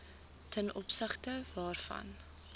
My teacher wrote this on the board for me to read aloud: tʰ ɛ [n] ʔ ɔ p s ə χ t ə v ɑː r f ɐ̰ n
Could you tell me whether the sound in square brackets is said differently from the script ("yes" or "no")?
no